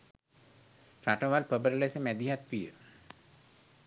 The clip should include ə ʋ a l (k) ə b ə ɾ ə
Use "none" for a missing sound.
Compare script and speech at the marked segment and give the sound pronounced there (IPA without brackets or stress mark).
p